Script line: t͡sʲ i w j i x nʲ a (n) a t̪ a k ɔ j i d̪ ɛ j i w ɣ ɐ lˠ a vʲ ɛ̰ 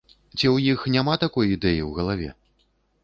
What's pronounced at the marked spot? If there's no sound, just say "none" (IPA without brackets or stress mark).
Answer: m